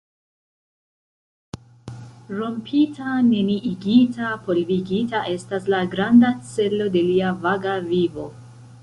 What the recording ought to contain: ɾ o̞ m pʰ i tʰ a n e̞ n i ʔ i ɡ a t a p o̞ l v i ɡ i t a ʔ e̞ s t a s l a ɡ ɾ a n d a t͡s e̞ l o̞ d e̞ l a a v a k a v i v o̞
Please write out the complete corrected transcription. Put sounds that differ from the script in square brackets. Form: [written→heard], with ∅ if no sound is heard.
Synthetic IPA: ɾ o̞ m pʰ i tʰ a n e̞ n i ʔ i ɡ [a→i] t a p o̞ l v i ɡ i t a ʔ e̞ s t a s l a ɡ ɾ a n d a t͡s e̞ l o̞ d e̞ l [a→i] a v a [k→ɡ] a v i v o̞